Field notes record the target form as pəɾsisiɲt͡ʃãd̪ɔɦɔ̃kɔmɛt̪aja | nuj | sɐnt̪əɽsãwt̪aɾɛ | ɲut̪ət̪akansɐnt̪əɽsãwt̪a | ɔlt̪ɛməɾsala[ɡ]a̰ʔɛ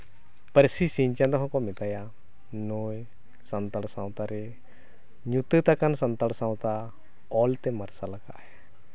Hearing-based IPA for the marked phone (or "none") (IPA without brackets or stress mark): k